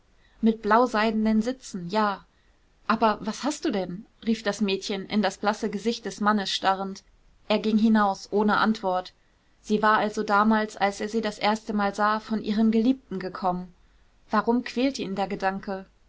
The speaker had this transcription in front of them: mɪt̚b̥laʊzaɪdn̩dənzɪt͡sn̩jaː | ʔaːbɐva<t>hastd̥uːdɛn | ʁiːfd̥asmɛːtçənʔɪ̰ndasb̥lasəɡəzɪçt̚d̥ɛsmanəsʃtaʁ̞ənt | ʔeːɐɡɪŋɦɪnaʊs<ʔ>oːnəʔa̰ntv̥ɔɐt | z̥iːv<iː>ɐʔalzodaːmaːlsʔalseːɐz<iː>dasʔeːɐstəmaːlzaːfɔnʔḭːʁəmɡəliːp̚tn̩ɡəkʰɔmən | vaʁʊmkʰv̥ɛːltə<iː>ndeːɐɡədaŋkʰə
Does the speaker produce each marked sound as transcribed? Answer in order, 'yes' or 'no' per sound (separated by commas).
no, yes, no, yes, yes